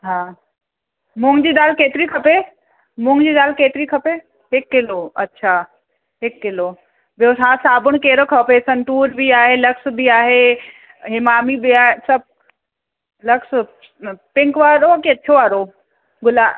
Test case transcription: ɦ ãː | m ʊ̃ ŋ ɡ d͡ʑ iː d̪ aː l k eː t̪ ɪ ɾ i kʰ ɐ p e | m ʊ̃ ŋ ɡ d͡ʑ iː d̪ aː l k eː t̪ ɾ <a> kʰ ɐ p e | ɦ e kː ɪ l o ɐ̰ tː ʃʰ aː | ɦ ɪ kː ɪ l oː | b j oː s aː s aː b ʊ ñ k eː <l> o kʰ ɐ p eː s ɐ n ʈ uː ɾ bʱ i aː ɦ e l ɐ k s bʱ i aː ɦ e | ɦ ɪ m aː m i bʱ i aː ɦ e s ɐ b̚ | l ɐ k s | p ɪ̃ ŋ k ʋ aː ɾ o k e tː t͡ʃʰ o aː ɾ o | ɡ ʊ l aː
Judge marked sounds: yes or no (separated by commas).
no, no